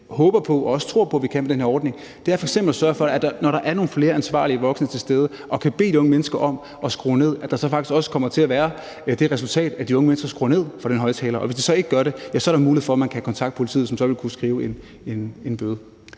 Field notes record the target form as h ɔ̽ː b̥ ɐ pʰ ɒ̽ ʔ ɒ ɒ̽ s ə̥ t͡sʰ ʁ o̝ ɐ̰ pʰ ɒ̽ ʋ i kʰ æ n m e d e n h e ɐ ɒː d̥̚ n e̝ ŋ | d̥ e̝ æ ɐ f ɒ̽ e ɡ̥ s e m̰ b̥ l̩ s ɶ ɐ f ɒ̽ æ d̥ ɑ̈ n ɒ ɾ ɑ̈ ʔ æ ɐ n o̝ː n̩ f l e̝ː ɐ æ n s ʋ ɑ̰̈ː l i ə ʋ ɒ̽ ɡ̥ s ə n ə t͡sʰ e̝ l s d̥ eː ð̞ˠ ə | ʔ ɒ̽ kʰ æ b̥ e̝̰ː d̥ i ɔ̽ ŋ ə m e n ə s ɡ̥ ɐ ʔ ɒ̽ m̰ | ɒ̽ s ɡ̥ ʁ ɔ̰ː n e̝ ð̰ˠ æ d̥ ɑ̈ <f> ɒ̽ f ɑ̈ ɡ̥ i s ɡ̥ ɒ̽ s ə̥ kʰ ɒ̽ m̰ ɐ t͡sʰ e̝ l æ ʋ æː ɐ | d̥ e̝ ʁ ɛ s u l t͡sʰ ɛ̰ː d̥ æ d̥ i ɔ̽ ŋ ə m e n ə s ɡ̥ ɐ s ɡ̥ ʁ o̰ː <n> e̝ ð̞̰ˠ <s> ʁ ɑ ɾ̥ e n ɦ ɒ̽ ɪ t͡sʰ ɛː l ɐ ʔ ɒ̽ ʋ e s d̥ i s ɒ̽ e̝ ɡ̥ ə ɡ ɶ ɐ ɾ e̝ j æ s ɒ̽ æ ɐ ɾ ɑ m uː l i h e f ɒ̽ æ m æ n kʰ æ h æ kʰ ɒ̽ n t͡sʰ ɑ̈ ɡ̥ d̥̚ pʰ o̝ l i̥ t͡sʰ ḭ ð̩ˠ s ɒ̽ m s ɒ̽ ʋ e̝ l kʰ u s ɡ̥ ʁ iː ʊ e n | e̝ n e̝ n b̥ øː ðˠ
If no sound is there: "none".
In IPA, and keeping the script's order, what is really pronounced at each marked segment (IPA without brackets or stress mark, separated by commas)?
s, n, f